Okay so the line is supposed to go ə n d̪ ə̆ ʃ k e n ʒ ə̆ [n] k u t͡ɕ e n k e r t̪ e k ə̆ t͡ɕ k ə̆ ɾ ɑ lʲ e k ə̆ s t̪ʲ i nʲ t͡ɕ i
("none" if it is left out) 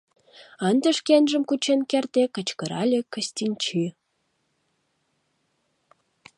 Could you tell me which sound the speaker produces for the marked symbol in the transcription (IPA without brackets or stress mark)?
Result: m